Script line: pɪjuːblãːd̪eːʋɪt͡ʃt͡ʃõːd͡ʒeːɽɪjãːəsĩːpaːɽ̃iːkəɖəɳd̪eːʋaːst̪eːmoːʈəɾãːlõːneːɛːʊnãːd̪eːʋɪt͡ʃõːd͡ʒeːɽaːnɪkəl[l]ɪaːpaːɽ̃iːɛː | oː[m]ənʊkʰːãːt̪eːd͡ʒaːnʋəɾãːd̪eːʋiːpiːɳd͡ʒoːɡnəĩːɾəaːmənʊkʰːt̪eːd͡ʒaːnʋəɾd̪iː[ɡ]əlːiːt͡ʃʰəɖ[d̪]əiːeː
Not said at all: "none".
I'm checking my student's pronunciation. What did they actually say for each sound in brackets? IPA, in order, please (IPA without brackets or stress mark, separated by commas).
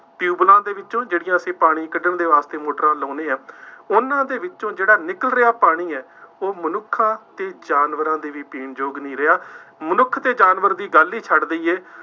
ɾ, m, ɡ, d̪